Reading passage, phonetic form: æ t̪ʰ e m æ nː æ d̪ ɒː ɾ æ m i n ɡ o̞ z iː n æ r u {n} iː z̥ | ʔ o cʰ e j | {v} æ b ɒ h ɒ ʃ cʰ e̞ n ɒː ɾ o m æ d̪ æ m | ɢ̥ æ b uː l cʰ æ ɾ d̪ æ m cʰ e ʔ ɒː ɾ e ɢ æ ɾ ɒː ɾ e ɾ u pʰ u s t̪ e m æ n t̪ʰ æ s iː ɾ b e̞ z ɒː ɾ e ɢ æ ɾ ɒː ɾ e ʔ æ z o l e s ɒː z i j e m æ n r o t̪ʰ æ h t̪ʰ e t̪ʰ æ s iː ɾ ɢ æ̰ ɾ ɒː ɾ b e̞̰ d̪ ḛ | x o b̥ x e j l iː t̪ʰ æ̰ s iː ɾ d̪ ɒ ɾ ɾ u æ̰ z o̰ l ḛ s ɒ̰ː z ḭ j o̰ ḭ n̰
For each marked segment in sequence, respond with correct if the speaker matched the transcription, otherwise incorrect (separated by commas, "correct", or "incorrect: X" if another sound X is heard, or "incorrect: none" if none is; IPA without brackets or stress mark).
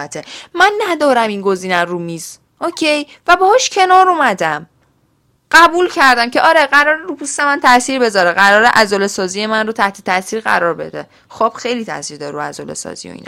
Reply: incorrect: m, correct